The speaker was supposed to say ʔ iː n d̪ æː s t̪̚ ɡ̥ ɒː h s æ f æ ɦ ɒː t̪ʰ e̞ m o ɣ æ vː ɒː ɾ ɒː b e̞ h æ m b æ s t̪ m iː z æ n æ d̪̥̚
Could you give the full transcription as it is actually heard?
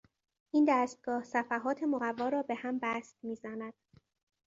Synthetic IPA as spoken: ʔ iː n d̪ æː s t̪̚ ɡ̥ ɒː h s æ f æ ɦ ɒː t̪ʰ e̞ m o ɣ æ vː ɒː ɾ ɒː b e̞ h æ m b æ s t̪ m iː z æ n æ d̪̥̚

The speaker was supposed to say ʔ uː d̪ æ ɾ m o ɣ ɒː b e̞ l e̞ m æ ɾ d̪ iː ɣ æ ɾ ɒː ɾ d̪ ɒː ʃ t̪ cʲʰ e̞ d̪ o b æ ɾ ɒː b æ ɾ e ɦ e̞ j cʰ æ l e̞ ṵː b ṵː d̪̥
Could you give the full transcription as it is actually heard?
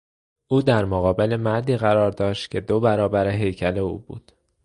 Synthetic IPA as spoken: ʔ uː d̪ æ ɾ m o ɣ ɒː b e̞ l e̞ m æ ɾ d̪ iː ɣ æ ɾ ɒː ɾ d̪ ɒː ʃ t̪ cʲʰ e̞ d̪ o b æ ɾ ɒː b æ ɾ e ɦ e̞ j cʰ æ l e̞ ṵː b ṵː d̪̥

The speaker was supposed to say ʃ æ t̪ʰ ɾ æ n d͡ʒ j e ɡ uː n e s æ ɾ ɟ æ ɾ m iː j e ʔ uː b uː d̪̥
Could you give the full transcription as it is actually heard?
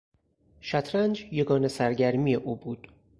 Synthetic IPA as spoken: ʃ æ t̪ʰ ɾ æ n d͡ʒ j e ɡ ɒː n e s æ ɾ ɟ æ ɾ m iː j e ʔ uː b uː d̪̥

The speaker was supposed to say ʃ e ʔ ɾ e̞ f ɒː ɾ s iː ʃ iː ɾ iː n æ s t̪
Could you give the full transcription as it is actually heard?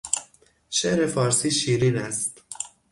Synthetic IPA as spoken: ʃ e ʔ ɾ e̞ f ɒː ɾ s iː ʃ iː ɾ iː n æ s t̪

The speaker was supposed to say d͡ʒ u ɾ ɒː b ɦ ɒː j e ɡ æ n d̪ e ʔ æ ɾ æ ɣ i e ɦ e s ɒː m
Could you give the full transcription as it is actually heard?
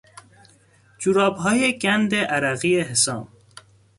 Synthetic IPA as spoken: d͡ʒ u ɾ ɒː b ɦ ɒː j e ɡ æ n d̪ e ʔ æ ɾ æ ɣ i e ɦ e s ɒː m

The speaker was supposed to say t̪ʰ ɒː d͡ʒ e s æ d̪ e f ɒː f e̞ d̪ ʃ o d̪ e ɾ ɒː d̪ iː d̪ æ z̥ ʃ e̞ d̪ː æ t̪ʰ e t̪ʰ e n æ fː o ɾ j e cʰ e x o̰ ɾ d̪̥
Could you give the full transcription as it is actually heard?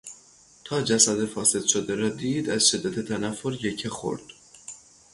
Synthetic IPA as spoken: t̪ʰ ɒː d͡ʒ æ s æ d̪ e f ɒː s e̞ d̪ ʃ o d̪ e ɾ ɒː d̪ iː d̪ æ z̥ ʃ e̞ d̪ː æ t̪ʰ e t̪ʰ æ n æ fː o ɾ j e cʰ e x o̰ ɾ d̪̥

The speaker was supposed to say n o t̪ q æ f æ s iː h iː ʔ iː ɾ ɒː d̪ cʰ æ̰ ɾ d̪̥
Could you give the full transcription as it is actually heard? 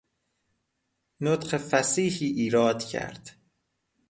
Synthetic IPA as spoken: n o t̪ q e f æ s iː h iː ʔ iː ɾ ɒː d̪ cʰ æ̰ ɾ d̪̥

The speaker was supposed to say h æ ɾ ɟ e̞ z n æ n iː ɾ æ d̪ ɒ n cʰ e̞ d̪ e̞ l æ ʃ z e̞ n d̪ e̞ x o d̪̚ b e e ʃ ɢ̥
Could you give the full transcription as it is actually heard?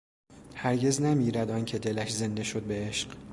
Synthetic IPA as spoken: h æ ɾ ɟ e̞ z n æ m iː ɾ æ d̪ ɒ n cʰ e̞ d̪ e̞ l æ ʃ z e̞ n d̪ e̞ ʃ o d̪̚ b e e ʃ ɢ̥

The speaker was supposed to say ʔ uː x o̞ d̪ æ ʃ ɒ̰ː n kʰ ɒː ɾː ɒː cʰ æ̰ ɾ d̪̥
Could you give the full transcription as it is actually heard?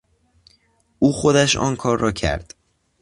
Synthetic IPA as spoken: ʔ uː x o̞ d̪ æ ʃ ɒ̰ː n kʰ ɒː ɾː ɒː cʰ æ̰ ɾ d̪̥

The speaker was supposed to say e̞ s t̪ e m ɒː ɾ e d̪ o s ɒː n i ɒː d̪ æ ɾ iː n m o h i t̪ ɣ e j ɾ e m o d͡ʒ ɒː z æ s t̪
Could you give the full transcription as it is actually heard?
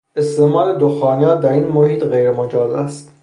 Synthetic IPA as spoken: e̞ s t̪ e m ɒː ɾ e d̪ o x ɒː n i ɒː d̪ æ ɾ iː n m o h iː t̪ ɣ e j ɾ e m o d͡ʒ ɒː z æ s t̪

